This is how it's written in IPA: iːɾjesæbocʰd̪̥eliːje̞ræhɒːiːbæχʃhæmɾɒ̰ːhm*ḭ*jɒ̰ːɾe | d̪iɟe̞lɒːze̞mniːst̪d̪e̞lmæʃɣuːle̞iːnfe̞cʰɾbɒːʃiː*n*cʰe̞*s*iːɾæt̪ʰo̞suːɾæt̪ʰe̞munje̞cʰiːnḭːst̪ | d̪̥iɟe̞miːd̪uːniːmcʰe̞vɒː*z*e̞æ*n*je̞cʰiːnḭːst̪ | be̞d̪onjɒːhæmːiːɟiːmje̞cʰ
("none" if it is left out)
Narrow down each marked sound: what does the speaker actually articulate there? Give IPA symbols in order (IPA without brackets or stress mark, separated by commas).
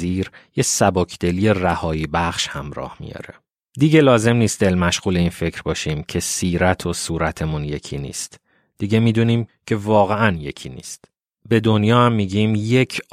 ḭ, m, s, ɣ, n